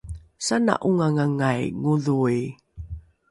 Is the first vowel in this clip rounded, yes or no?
no